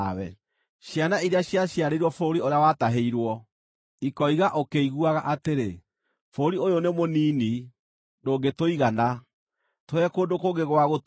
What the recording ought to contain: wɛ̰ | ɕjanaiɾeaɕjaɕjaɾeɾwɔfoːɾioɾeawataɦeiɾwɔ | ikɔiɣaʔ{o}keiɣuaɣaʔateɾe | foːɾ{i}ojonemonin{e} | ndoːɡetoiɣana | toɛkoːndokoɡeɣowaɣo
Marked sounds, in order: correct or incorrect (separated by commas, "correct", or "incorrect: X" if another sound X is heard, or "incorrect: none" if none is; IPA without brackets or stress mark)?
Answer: correct, correct, incorrect: i